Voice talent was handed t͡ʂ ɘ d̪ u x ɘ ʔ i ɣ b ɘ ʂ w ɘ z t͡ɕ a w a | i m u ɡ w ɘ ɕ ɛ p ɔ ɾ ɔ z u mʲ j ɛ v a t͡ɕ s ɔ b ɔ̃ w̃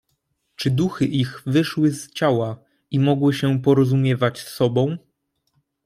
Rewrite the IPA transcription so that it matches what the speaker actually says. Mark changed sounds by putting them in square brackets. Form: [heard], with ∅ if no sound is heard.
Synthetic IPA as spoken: t͡ʂ ɘ d̪ u x ɘ ʔ i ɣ [v] ɘ ʂ w ɘ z t͡ɕ a w a | i m [ɔ] ɡ w ɘ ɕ ɛ p ɔ ɾ ɔ z u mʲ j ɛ v a t͡ɕ s ɔ b ɔ̃ w̃